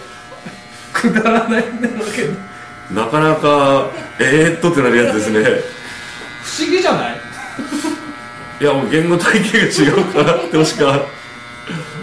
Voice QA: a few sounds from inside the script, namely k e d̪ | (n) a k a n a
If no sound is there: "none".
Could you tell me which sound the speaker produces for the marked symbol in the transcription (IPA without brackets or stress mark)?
n